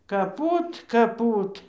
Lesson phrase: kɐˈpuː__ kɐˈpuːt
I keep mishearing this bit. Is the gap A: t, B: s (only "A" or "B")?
A